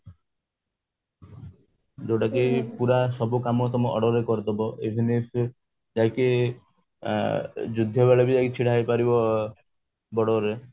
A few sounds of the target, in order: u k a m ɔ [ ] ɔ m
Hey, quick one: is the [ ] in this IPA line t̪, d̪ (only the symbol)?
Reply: t̪